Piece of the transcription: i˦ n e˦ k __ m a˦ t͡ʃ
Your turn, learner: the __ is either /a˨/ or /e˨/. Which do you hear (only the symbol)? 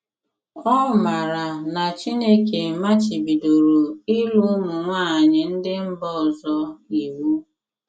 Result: e˨